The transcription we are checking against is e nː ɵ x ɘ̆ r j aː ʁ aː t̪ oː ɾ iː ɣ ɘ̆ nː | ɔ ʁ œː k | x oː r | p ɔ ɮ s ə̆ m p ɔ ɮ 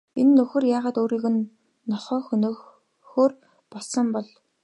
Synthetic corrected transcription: e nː ɵ x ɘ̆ r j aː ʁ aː t̪ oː ɾ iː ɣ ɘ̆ nː | ɔ χ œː x | x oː r | p ɔ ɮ s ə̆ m p ɔ ɮ